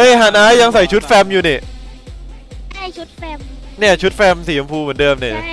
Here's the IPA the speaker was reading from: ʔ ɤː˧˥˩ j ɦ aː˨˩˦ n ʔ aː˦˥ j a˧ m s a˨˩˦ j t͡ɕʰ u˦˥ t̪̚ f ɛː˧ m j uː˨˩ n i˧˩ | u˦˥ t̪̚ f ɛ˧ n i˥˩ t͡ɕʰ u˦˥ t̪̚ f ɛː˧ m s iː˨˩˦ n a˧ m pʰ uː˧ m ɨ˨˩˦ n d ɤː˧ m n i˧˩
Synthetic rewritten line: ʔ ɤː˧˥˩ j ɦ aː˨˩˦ n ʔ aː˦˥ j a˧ ŋ s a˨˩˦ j t͡ɕʰ u˦˥ t̪̚ f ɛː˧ m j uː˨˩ n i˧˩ | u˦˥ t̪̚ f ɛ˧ n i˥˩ t͡ɕʰ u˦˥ t̪̚ f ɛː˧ m s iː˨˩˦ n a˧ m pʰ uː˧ m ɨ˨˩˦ n d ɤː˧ m n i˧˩